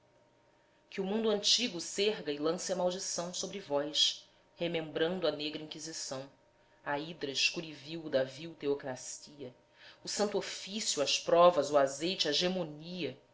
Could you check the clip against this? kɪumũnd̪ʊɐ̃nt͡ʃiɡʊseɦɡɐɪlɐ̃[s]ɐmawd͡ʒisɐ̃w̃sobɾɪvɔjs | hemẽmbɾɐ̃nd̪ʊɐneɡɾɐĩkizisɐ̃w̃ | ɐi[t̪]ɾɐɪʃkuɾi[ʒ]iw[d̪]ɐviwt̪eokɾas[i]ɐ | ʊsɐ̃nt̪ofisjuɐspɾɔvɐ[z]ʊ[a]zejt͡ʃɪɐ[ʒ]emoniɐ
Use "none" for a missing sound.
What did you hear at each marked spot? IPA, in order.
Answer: s, d̪, v, d̪, i, z, a, ʒ

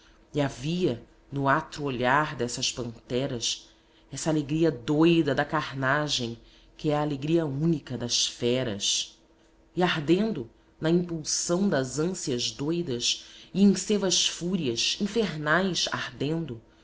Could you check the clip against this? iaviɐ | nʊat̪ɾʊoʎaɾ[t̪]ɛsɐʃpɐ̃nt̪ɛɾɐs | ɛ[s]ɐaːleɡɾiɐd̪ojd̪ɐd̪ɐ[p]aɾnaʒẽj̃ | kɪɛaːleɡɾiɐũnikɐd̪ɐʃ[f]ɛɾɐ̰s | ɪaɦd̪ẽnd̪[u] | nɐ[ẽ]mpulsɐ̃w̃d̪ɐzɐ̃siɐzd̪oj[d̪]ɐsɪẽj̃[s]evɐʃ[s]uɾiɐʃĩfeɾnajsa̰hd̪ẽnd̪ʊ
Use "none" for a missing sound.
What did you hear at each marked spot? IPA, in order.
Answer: d̪, s, k, f, ʊ, ĩ, d̪, s, f

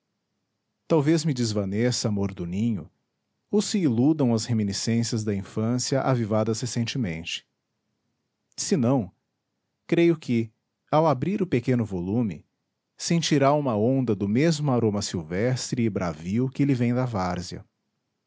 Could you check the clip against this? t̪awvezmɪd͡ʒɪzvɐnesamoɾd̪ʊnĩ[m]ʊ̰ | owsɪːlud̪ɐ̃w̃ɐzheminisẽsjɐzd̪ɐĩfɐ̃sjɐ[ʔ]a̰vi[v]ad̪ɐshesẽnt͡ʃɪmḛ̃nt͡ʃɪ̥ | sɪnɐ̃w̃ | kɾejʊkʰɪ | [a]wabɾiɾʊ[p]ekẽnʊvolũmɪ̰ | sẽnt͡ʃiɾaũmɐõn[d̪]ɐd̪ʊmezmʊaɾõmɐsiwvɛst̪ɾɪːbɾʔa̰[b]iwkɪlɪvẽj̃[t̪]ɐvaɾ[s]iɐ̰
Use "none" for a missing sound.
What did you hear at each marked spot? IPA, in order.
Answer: ɲ, ʔ, v, a, p, d̪, v, d̪, z

